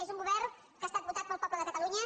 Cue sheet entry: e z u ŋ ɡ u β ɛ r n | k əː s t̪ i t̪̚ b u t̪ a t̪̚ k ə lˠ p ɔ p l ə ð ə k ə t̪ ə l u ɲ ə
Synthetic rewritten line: e z u ŋ ɡ u β ɛ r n | k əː s t̪ a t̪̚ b u t̪ a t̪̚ p ə lˠ p ɔ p l ə ð ə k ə t̪ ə l u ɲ ə